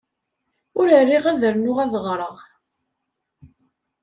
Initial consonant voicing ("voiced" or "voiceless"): voiced